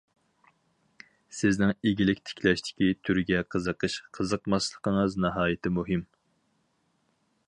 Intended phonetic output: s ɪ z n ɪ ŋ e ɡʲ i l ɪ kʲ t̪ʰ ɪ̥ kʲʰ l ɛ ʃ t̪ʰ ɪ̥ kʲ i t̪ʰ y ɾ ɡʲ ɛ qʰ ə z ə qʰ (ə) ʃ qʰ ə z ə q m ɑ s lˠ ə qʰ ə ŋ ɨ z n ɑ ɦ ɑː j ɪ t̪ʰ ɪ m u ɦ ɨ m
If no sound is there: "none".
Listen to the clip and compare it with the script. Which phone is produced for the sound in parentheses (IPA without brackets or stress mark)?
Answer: ə